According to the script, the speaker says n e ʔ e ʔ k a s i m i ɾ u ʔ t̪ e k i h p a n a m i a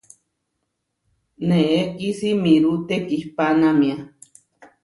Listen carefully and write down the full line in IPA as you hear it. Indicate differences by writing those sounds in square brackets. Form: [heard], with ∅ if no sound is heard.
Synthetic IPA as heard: n e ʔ e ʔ k [i] s i m i ɾ u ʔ t̪ e k i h p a n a m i a